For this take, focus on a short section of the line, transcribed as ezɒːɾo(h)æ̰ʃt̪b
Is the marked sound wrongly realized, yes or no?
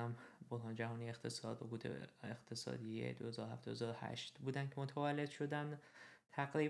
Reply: no